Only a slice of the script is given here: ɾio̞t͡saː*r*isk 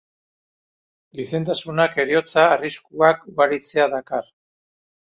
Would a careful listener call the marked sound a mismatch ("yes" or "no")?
no